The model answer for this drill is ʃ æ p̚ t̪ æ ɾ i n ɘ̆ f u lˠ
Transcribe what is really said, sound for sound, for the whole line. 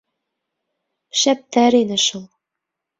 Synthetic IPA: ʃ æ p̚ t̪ æ ɾ i n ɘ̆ ʃ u lˠ